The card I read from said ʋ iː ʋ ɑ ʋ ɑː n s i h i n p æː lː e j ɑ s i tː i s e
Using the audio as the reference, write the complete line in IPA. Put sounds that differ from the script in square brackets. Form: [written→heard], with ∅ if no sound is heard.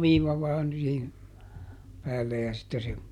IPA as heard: ʋ iː ʋ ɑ ʋ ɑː n s [i→iː] h i n p æː lː e j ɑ s i tː [i→e] s e